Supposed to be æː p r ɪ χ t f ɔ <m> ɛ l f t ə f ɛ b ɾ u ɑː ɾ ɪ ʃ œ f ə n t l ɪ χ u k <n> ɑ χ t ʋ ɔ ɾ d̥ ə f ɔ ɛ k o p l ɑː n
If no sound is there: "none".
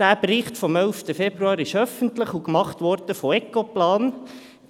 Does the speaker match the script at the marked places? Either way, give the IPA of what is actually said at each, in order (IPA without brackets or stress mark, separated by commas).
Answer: m, m